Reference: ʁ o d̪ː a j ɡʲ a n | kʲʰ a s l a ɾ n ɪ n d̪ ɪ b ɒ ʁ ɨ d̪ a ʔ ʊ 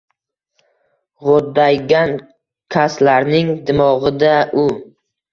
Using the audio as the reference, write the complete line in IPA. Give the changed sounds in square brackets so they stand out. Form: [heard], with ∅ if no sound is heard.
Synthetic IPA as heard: ʁ o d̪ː a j ɡʲ a n | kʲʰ a s l a ɾ n ɪ [ŋ] d̪ ɪ [m] ɒ ʁ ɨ d̪ a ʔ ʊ